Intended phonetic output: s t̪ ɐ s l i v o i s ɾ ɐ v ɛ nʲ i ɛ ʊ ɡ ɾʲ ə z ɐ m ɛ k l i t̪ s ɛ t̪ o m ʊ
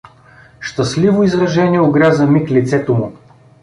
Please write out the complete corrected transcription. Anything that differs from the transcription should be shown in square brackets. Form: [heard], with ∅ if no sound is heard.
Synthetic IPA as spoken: [ʃ] t̪ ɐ s l i v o i [z] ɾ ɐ [ʒ] ɛ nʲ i ɛ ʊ ɡ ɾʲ [a] z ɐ m [i] k l i t̪ s ɛ t̪ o m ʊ

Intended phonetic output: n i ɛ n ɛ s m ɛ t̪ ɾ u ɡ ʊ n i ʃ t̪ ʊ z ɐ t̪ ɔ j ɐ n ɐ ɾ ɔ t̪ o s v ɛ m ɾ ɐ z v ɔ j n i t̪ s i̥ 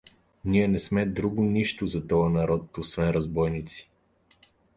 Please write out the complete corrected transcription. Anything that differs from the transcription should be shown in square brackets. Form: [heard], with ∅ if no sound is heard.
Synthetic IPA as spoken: n i ɛ n ɛ s m ɛ [d̪] ɾ u ɡ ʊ n i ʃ t̪ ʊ z ɐ t̪ ɔ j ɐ n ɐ ɾ ɔ t̪ o s v ɛ [n] ɾ ɐ z [b] ɔ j n i t̪ s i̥

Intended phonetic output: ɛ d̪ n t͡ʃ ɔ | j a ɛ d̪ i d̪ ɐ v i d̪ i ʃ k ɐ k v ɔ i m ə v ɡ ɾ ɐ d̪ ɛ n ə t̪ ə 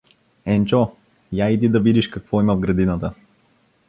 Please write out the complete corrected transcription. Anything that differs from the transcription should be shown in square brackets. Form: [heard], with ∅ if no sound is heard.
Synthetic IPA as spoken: ɛ [∅] n t͡ʃ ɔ | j a [i] d̪ i d̪ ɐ v i d̪ i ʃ k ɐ k v ɔ i m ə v ɡ ɾ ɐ d̪ [i] n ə t̪ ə

